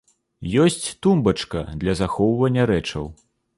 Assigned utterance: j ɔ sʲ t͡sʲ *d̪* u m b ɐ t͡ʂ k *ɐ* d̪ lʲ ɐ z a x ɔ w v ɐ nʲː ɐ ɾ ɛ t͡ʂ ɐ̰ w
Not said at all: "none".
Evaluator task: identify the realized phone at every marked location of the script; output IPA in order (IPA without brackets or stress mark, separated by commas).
t̪, ɐ